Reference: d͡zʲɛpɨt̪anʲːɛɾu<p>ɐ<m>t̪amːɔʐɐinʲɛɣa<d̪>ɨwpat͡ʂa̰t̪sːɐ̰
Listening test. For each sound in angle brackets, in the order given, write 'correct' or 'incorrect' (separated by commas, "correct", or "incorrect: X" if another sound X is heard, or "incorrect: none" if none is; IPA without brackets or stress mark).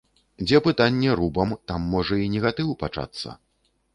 incorrect: b, correct, incorrect: t̪